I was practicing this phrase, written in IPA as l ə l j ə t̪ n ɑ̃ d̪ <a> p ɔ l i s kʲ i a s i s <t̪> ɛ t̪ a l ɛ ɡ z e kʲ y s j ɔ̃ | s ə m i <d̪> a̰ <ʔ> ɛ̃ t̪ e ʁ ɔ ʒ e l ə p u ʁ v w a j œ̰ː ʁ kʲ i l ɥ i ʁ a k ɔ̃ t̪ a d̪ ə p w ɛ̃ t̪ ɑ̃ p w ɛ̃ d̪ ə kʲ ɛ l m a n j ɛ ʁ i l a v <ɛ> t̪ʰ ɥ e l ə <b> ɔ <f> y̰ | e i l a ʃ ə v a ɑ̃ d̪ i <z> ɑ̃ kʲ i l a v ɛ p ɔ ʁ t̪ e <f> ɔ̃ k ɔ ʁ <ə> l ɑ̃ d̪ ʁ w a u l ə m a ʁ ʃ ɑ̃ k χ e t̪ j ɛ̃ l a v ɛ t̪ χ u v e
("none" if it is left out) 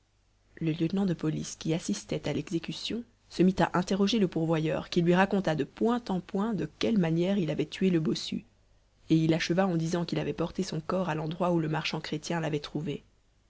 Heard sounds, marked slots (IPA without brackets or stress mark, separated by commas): ə, t̪, t̪, ʔ, ɛ, b, s, z, s, a